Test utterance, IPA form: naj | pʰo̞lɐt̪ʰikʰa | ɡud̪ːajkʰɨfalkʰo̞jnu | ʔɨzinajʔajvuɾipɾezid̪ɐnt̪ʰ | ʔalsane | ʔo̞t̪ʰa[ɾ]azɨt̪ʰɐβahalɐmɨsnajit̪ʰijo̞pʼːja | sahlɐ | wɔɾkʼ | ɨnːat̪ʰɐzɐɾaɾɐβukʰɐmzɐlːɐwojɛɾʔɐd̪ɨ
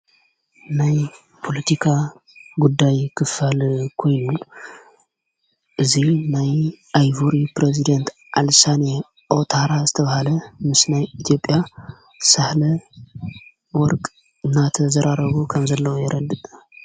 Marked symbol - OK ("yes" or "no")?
yes